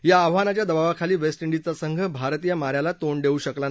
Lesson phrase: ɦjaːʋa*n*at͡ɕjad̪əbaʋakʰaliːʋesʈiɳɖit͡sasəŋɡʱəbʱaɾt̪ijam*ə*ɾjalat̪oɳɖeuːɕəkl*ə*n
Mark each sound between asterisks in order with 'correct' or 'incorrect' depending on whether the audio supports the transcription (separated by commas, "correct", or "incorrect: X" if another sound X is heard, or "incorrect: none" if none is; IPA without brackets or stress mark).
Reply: correct, incorrect: a, incorrect: a